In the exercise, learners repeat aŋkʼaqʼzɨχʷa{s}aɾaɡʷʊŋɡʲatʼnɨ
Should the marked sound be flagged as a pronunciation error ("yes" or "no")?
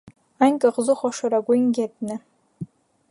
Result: yes